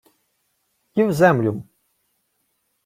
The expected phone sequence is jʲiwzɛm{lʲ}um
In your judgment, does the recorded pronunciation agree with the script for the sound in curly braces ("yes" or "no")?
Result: yes